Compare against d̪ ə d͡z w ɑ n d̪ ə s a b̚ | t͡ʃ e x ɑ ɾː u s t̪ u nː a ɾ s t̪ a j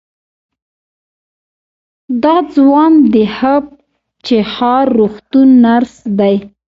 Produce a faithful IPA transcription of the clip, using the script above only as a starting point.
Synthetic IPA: d̪ ɑ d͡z w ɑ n d̪ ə h a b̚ | t͡ʃ e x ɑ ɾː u x t̪ u nː a ɾ s d̪ a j